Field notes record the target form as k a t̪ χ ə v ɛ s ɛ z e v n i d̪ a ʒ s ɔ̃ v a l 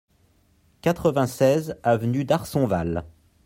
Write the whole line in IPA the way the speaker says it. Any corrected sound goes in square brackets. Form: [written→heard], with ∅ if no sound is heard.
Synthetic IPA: k a t̪ χ ə v [ɛ→ɛ̃] s ɛ z [e→a] v n [i→y] d̪ a [ʒ→ʁ] s ɔ̃ v a l